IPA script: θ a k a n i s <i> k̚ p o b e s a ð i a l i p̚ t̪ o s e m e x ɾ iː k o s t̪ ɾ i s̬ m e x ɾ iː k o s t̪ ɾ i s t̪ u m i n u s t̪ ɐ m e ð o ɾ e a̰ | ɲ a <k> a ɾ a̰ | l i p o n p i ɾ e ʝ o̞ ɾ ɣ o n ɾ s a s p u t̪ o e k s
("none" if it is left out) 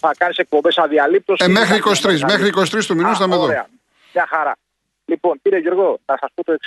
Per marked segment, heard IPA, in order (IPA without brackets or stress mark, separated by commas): e, x